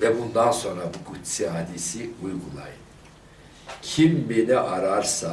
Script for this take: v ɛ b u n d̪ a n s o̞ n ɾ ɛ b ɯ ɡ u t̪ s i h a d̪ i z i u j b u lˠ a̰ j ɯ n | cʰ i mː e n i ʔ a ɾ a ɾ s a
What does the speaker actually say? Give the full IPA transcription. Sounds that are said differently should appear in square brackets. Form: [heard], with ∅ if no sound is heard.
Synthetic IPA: v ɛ b u n d̪ a n s o̞ n ɾ [a] b [u] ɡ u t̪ s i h a d̪ i [s] i u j [ɡ] u lˠ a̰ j ɯ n | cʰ i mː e n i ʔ a ɾ a ɾ s a